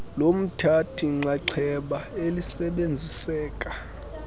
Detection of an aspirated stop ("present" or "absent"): present